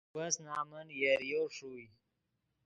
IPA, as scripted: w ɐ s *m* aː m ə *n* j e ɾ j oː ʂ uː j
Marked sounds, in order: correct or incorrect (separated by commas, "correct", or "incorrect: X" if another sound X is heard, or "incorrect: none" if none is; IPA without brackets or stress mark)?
incorrect: n, correct